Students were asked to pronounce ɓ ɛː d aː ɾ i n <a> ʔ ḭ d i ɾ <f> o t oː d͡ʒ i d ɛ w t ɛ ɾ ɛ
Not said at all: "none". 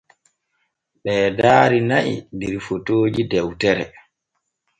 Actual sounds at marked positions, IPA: a, f

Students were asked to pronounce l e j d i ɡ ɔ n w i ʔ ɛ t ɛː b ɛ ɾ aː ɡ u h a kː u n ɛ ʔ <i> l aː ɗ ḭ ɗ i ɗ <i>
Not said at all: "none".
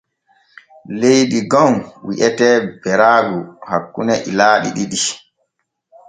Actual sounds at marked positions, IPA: i, i

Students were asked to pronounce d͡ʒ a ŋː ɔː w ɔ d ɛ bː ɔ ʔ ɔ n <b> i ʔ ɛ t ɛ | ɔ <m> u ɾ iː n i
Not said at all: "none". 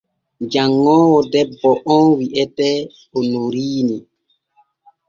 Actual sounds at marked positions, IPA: w, n

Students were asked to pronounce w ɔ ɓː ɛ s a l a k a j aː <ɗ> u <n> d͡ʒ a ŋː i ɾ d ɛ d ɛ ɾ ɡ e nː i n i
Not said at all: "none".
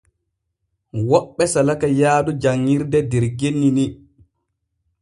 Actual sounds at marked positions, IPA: d, none

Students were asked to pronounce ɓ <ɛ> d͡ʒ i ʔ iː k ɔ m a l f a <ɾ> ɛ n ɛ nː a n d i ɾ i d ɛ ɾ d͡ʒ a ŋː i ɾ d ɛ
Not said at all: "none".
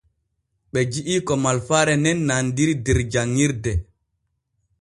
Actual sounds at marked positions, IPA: ɛ, ɾ

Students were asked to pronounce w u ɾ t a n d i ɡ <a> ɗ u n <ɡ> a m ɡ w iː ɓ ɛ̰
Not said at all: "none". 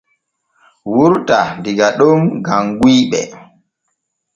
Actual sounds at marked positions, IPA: a, ɡ

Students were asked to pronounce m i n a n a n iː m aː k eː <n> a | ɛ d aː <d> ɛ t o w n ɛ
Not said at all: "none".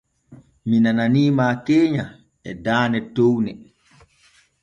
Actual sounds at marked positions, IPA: ɲ, n

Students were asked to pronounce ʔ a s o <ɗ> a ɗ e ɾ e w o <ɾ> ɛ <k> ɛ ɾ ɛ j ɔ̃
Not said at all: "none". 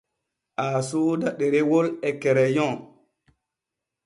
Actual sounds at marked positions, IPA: d, l, k

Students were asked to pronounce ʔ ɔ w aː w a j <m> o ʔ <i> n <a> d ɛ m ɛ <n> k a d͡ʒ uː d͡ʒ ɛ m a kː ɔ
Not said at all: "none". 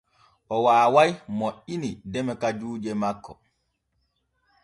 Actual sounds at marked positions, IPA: m, i, i, none

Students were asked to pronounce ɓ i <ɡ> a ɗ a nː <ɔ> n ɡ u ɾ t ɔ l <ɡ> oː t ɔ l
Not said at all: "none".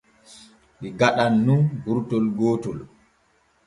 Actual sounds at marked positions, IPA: ɡ, u, ɡ

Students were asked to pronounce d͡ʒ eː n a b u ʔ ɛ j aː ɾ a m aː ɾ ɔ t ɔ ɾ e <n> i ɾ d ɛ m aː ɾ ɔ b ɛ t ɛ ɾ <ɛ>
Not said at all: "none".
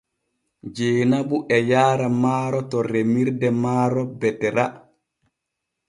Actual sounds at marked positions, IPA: m, a

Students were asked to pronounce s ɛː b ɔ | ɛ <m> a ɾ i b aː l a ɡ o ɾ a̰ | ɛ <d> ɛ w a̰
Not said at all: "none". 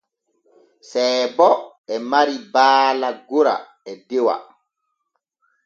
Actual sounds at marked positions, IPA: m, d

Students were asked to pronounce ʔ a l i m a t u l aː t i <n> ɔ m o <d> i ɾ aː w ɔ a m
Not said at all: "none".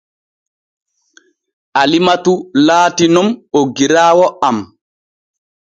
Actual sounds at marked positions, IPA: n, ɡ

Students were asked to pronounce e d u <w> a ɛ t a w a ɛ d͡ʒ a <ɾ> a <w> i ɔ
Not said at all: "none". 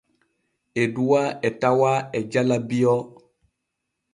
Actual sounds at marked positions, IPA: w, l, b

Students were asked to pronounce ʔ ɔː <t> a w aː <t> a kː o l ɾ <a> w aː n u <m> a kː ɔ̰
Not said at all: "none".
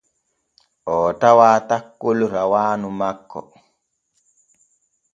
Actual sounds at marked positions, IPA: t, t, a, m

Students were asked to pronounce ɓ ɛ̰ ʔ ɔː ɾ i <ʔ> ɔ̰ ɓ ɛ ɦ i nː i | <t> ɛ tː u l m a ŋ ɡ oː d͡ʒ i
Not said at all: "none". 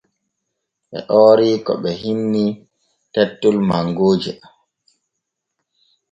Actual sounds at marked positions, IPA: k, t

